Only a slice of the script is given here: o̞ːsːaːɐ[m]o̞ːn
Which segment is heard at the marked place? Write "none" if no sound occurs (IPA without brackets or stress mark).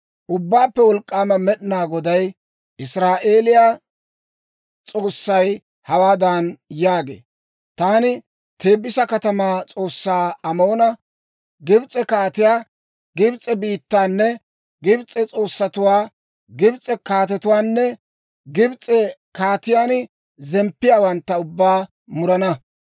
m